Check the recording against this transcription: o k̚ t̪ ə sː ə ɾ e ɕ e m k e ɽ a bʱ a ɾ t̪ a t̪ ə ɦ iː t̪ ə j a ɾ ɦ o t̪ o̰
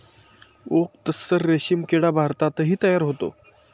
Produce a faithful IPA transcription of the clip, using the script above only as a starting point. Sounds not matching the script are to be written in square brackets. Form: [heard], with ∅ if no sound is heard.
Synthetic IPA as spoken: o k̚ t̪ ə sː ə [ɾː] e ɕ [i] m k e ɽ a bʱ a ɾ t̪ a t̪ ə ɦ iː t̪ ə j a ɾ ɦ o t̪ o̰